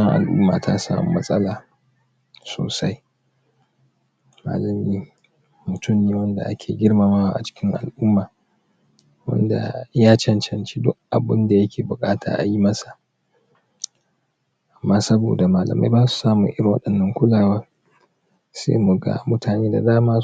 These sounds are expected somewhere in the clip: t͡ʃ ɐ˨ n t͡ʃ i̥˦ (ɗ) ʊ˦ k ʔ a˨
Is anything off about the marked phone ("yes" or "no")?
yes